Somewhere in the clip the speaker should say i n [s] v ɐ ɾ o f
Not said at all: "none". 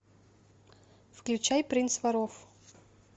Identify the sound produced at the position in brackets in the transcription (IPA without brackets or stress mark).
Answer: s